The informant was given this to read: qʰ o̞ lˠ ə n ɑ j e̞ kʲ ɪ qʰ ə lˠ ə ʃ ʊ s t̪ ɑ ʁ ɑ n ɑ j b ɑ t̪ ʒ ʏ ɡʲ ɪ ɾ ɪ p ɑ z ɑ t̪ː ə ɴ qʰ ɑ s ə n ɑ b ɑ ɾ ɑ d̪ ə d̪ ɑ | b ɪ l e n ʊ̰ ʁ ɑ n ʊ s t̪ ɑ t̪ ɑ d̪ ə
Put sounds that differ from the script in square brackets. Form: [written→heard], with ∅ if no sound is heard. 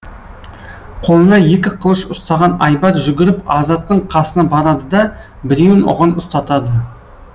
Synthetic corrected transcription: qʰ o̞ lˠ ə n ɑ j e̞ kʲ ɪ qʰ ə lˠ ə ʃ ʊ s t̪ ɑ ʁ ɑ n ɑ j b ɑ t̪ ʒ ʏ ɡʲ ɪ ɾ ɪ p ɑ z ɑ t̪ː ə ɴ qʰ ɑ s ə n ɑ b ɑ ɾ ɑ d̪ ə d̪ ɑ | b ɪ [l→ɾ] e n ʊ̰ ʁ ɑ n ʊ s t̪ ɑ t̪ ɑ d̪ ə